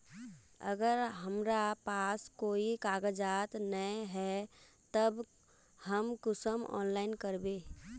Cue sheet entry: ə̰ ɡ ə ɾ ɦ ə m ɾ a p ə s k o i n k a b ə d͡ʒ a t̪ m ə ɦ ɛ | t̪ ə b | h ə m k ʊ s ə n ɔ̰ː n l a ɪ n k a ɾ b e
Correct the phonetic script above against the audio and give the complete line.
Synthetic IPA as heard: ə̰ ɡ ə ɾ ɦ ə m ɾ a p a s k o i k a ɡ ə d͡ʒ a t̪ n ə ɦ ɛ | t̪ ə b | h ə m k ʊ s ə m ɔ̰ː n l a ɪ n k ə ɾ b e